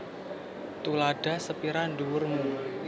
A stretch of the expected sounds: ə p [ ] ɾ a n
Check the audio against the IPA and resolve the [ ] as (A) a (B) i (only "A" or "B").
B